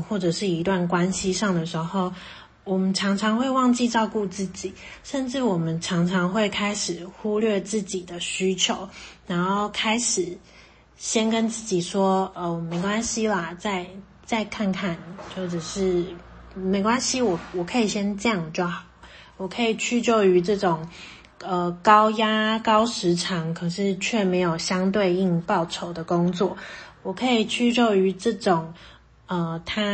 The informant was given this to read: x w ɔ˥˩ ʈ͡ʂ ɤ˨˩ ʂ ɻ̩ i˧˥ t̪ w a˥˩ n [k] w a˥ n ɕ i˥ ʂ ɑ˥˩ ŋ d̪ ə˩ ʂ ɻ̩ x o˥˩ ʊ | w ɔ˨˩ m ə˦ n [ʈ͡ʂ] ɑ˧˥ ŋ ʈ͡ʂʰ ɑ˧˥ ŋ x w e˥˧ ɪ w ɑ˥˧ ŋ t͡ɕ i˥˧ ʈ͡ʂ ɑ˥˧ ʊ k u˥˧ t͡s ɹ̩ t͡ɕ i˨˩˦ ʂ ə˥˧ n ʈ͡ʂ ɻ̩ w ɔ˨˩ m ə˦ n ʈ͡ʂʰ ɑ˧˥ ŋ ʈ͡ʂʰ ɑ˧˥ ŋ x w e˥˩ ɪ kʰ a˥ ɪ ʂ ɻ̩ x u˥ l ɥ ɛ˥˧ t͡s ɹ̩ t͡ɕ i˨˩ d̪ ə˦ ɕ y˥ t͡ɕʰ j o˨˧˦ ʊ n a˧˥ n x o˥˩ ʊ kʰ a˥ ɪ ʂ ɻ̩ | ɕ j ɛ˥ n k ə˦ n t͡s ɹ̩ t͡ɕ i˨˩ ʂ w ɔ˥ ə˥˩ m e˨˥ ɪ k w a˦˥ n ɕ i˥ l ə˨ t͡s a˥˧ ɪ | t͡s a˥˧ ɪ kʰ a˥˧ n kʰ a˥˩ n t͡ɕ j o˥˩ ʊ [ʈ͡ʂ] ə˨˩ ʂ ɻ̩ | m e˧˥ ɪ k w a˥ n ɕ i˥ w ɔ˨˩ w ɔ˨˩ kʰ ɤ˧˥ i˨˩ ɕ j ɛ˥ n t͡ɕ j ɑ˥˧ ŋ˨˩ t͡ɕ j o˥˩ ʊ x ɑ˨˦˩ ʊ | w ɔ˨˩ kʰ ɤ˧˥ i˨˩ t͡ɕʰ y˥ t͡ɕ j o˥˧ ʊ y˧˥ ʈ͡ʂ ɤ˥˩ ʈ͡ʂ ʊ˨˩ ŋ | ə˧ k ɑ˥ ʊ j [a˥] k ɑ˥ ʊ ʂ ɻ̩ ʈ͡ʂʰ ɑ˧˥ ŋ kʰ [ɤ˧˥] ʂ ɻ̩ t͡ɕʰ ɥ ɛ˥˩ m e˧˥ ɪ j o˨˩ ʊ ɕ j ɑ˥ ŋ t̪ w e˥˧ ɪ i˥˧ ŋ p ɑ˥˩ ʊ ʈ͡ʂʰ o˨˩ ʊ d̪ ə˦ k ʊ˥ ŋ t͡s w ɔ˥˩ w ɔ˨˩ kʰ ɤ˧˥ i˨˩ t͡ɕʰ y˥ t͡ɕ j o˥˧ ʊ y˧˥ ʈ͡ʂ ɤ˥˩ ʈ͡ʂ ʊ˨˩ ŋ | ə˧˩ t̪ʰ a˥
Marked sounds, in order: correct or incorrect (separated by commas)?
correct, incorrect, correct, correct, incorrect